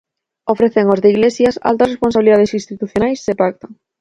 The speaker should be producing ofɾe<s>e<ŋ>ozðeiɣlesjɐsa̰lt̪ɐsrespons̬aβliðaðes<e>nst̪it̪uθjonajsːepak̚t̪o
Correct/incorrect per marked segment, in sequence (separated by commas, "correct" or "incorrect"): incorrect, correct, incorrect